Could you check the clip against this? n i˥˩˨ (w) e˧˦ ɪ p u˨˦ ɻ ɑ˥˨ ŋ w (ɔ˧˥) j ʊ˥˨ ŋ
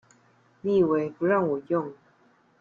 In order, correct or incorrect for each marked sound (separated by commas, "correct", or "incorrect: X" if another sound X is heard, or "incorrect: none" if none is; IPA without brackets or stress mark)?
correct, incorrect: ɔ˨˩